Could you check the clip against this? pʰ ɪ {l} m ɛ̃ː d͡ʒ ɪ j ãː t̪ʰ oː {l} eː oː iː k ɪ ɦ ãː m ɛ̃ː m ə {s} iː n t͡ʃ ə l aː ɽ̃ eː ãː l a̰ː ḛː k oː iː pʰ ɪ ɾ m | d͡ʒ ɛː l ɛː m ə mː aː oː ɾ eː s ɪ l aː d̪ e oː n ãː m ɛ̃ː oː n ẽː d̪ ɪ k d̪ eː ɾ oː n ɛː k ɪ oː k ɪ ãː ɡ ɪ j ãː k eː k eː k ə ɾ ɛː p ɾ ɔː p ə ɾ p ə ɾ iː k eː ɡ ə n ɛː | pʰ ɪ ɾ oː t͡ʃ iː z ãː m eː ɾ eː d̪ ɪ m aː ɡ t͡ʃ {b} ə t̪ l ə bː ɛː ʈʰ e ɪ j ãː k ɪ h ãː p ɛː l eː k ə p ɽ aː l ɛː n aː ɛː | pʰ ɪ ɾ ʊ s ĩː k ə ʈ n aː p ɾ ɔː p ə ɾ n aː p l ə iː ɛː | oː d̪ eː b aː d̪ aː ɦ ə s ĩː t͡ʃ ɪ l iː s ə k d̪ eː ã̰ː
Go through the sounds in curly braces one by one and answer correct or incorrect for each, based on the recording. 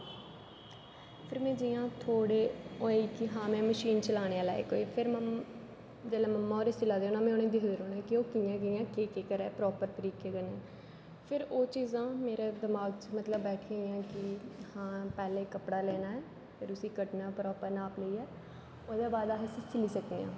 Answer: incorrect, incorrect, incorrect, incorrect

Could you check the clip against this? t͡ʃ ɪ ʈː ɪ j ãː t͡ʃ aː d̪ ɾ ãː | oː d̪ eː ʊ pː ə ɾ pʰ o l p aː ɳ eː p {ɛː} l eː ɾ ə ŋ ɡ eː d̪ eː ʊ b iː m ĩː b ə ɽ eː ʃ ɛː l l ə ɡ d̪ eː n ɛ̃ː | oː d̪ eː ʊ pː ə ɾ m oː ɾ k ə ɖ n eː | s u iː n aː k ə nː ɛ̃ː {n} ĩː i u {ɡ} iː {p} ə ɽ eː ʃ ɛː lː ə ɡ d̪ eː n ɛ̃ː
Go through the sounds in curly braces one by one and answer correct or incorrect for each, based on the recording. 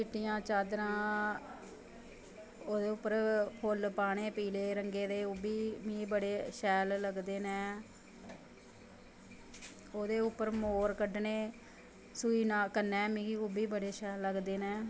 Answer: incorrect, incorrect, incorrect, incorrect

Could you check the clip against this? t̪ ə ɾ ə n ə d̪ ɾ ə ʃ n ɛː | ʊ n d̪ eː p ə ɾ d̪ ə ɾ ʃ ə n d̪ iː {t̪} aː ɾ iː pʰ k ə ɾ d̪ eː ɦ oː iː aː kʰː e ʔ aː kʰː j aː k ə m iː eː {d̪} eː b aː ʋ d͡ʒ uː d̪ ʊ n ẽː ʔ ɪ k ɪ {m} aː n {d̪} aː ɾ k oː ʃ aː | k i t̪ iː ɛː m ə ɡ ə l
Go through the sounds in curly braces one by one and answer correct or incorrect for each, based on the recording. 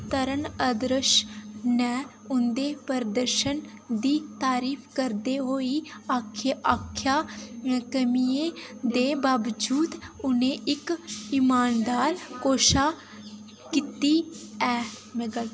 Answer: correct, correct, correct, correct

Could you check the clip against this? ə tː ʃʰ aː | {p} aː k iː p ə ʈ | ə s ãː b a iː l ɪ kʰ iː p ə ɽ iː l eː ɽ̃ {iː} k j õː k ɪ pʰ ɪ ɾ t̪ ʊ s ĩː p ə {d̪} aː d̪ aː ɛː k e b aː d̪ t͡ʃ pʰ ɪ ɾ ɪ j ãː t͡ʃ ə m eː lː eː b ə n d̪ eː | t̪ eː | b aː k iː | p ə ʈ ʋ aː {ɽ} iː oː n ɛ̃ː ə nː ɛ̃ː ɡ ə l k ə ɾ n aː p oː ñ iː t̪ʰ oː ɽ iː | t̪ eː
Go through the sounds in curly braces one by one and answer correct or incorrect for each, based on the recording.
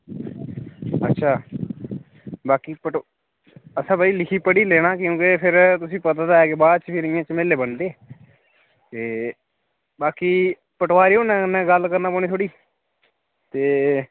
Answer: incorrect, incorrect, incorrect, incorrect

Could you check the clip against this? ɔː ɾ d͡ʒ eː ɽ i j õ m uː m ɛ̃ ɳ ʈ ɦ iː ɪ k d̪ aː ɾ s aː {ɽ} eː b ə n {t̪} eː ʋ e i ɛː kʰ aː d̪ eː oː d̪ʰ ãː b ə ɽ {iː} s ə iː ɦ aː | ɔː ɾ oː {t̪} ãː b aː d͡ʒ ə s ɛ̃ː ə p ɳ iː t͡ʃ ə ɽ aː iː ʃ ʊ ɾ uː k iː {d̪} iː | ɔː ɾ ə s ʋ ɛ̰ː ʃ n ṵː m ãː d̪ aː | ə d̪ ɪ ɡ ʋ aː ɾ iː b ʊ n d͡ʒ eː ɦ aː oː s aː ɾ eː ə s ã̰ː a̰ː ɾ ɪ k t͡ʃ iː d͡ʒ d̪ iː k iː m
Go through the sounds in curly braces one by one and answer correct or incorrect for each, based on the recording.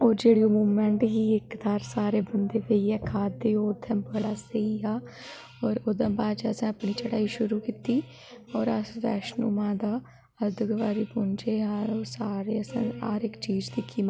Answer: incorrect, incorrect, incorrect, incorrect, incorrect

